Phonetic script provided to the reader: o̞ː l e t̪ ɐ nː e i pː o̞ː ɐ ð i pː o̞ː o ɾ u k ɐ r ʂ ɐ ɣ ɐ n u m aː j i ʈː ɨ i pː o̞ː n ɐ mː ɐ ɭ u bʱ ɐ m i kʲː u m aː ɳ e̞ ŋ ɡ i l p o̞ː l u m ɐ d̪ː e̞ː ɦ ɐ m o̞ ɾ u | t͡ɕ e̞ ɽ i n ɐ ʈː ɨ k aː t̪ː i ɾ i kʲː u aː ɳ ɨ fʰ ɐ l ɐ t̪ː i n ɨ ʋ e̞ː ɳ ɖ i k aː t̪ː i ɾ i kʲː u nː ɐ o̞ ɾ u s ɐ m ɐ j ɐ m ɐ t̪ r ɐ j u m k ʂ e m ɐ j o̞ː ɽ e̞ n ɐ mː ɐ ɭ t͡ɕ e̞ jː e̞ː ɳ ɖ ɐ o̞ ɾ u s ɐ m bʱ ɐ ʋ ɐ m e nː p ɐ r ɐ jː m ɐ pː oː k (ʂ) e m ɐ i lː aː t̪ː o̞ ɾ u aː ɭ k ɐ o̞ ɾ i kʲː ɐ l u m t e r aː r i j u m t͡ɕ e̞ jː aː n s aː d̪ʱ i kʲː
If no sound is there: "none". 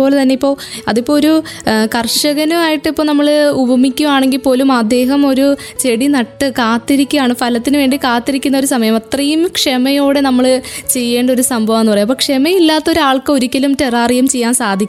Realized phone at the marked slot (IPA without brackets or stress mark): ʂ